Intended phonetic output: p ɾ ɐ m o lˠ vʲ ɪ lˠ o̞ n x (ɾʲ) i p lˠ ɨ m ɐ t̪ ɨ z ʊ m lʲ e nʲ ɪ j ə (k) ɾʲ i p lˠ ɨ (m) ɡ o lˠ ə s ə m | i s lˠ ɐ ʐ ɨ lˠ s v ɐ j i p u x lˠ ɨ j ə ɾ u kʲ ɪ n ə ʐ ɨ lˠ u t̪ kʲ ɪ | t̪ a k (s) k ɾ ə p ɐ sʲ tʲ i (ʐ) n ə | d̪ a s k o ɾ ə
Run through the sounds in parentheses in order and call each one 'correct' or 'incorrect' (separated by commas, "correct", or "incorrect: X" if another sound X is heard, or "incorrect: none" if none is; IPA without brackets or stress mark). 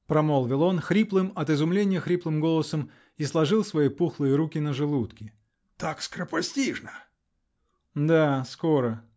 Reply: correct, incorrect: x, correct, correct, correct